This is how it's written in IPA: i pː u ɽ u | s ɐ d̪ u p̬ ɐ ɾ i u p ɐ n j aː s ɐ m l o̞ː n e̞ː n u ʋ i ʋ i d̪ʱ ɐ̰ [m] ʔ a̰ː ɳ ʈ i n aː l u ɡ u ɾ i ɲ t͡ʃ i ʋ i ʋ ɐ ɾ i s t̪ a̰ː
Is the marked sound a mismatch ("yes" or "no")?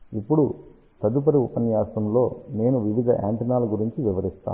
yes